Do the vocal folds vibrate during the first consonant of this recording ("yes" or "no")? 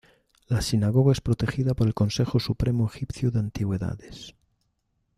yes